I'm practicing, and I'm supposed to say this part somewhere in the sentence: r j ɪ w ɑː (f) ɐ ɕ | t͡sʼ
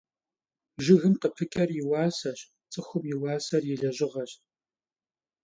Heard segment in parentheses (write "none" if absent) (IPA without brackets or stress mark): s